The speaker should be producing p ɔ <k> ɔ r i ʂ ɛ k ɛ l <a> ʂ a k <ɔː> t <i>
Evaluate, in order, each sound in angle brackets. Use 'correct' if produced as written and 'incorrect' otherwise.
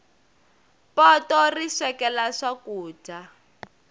incorrect, correct, incorrect, incorrect

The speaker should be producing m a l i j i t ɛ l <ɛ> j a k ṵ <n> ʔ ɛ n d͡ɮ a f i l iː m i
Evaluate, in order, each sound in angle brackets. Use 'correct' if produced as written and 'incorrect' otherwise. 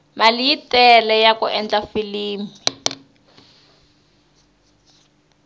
correct, incorrect

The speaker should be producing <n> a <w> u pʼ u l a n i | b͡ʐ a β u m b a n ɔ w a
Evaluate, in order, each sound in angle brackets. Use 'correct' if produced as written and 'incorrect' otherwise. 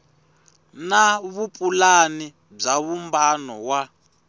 correct, incorrect

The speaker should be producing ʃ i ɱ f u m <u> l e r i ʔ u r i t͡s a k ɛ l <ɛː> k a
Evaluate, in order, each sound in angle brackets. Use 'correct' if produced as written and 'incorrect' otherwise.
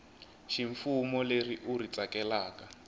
incorrect, incorrect

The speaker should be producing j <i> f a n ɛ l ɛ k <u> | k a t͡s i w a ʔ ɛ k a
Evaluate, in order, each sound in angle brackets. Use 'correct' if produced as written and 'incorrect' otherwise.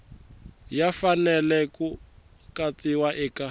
incorrect, correct

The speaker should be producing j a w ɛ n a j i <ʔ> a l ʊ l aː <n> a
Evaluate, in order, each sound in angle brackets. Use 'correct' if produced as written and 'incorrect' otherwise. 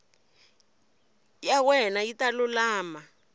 incorrect, incorrect

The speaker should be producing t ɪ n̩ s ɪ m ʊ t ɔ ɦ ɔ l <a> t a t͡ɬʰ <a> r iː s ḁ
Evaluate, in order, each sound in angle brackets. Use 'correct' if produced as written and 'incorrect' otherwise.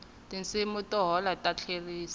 correct, incorrect

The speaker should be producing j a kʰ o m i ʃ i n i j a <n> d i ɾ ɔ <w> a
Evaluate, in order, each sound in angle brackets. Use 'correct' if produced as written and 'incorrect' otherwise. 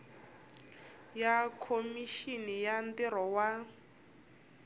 correct, correct

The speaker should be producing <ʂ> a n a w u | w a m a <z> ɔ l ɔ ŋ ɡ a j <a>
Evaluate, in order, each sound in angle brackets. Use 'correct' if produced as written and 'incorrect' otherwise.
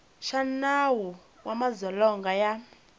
incorrect, correct, correct

